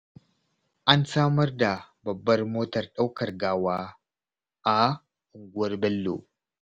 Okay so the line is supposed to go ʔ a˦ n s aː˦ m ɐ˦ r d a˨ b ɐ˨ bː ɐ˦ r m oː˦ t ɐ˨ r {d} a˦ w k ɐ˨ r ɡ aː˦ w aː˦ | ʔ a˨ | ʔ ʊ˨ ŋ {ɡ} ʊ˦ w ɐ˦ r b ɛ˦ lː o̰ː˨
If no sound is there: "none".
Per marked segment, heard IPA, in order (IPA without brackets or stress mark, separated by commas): ɗ, ɡ